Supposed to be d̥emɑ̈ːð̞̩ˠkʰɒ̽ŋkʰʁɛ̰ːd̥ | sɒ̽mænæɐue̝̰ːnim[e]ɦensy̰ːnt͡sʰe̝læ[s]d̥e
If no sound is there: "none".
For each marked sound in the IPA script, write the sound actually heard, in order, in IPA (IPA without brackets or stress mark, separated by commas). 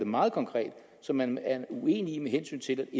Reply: e, none